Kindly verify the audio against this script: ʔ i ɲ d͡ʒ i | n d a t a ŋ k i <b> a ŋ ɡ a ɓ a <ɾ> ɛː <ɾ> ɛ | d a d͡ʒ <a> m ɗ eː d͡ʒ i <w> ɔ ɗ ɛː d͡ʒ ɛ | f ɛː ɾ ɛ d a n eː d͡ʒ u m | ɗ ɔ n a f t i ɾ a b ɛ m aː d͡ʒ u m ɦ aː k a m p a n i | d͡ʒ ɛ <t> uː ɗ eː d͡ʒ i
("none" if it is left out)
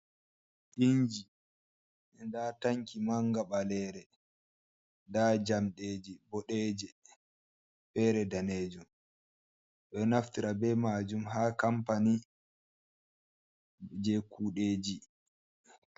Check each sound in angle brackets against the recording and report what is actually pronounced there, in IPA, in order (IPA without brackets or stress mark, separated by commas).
m, l, ɾ, a, b, k